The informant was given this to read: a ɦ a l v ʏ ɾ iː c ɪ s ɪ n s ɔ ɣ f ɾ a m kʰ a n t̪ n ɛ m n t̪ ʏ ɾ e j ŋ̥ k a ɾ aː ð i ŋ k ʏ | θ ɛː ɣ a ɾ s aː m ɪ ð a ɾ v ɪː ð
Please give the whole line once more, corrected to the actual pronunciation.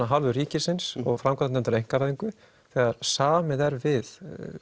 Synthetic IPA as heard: a ɦ a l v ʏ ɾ iː c ɪ s ɪ n s ɔ ɣ f ɾ a m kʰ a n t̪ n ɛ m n t̪ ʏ ɾ e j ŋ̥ k a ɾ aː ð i ŋ k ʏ | θ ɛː ɣ a ɾ s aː m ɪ ð ɛ ɾ v ɪ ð